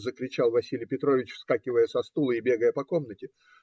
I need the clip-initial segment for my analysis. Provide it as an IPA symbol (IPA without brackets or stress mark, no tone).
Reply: z